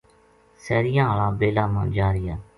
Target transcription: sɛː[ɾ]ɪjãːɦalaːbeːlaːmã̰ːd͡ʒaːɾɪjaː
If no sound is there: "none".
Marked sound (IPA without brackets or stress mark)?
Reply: ɾ